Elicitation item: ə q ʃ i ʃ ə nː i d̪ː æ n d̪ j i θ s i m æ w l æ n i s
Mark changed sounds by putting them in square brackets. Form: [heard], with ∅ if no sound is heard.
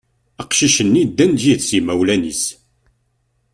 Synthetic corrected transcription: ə q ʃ i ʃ ə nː i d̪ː æ n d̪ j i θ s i m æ w l æ n i s